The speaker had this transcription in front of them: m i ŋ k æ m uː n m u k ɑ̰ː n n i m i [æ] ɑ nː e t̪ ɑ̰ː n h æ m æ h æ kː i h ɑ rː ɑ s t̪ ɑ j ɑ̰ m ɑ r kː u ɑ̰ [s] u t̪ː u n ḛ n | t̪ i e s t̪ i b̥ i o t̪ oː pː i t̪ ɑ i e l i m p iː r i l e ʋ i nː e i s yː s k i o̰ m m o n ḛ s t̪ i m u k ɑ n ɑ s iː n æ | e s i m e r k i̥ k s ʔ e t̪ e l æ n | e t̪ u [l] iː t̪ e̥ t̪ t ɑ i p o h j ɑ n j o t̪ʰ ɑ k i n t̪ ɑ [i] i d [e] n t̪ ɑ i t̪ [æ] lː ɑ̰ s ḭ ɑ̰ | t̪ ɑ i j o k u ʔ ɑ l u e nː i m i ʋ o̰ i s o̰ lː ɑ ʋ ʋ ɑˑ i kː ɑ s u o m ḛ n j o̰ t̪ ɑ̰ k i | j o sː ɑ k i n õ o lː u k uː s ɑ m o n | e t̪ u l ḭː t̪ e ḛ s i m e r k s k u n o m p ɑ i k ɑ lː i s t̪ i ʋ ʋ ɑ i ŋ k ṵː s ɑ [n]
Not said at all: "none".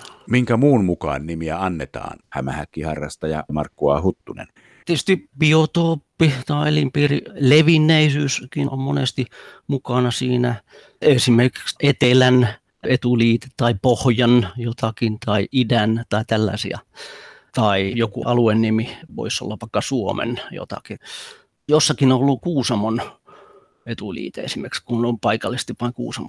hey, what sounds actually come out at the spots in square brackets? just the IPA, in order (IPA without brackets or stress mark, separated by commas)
æ, h, l, i, æ, æ, m